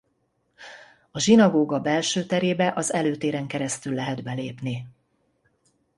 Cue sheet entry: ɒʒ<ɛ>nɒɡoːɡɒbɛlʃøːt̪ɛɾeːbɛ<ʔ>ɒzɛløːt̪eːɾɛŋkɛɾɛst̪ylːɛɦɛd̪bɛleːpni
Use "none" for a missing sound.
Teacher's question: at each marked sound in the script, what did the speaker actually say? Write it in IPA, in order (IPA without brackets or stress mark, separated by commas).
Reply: i, ʔ